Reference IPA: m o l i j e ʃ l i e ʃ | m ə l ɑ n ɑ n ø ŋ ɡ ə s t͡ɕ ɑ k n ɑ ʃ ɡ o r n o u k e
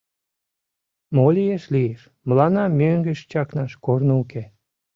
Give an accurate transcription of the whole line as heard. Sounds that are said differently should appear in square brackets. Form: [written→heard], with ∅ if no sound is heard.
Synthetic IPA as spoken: m o l i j e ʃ l i e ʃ | m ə l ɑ n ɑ [n→m] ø ŋ ɡ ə [s→ʃ] t͡ɕ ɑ k n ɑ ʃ [ɡ→k] o r n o u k e